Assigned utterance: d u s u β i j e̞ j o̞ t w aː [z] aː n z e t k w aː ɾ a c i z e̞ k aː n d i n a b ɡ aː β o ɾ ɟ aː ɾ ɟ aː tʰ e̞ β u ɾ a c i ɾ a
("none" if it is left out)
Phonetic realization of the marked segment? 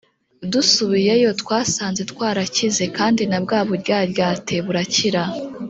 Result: s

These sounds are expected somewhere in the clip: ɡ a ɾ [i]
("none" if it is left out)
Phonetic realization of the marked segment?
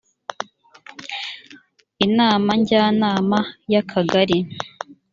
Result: i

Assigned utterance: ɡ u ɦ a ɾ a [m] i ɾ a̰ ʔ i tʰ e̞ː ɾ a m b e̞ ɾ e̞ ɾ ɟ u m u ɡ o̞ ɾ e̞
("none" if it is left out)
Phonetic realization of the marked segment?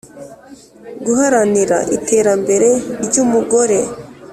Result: n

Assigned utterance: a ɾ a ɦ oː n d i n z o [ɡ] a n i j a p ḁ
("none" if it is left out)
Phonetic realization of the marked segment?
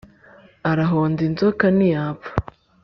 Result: k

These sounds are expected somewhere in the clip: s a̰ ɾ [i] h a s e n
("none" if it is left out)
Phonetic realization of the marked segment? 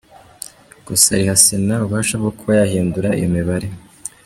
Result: i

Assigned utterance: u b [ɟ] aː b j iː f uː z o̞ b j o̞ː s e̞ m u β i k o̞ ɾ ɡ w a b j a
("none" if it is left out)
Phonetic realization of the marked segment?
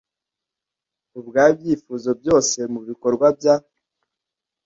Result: ɡ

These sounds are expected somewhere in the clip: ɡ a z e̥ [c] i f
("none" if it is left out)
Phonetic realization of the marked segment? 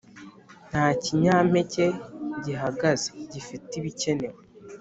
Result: ɟ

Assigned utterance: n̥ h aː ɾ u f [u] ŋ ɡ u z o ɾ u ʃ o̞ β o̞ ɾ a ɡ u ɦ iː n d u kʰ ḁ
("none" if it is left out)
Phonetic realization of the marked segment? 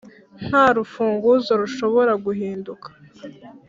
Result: uː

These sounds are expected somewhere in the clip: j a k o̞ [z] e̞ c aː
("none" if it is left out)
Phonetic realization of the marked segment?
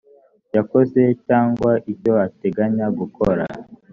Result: z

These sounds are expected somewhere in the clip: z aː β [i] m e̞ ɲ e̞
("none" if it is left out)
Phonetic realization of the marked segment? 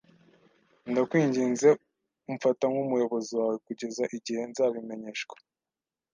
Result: i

